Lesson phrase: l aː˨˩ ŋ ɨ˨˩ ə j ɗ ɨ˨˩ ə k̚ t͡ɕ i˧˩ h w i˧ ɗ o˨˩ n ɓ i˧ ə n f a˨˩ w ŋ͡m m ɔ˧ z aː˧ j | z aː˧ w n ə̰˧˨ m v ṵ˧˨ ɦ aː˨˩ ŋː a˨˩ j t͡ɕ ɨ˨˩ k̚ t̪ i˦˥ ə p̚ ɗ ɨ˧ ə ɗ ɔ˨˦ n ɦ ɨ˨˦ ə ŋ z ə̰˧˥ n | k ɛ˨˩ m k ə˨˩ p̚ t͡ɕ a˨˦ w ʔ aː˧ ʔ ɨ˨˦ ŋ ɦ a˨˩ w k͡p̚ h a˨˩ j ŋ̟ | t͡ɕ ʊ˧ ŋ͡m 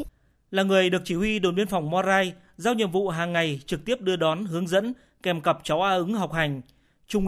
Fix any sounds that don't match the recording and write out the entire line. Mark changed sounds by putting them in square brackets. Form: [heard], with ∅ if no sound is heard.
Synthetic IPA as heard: l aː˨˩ ŋ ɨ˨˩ ə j ɗ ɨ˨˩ ə k̚ t͡ɕ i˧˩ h w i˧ ɗ o˨˩ n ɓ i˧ ə n f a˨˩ w ŋ͡m m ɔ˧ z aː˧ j | z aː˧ w [ɲ] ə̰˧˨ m v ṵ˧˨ ɦ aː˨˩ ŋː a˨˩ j t͡ɕ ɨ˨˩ k̚ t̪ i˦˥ ə p̚ ɗ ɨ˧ ə ɗ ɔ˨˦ n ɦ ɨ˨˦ ə ŋ z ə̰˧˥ n | k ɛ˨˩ m k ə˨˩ p̚ t͡ɕ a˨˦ w ʔ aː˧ ʔ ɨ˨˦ ŋ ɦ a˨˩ w k͡p̚ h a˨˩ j ŋ̟ | t͡ɕ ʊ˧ ŋ͡m